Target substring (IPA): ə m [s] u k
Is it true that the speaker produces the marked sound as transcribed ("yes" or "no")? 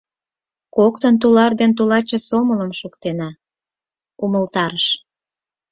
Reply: no